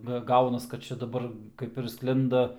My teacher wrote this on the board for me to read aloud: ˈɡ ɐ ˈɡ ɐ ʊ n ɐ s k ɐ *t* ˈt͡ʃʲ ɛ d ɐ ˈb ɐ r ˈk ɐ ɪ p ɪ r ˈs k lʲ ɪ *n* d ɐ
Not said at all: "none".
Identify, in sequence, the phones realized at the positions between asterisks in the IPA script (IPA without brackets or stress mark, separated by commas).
t, n